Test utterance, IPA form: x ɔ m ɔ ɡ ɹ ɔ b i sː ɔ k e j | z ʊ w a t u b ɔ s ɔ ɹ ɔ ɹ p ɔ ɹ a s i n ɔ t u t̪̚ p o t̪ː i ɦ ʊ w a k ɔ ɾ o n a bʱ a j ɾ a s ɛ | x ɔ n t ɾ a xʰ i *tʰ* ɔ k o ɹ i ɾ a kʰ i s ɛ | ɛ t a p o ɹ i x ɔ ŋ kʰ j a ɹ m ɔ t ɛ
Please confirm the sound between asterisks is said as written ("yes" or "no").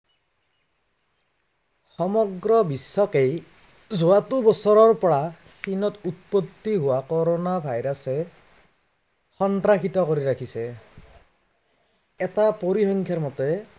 no